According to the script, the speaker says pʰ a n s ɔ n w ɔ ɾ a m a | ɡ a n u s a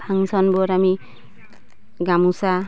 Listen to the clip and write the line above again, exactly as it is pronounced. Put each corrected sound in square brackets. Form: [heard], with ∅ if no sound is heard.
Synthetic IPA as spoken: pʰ a [ŋ] s ɔ n [b] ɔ ɾ a m [i] | ɡ a [m] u s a